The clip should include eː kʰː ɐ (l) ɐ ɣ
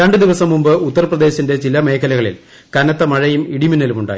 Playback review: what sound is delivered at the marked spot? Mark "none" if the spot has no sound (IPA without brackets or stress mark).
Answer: l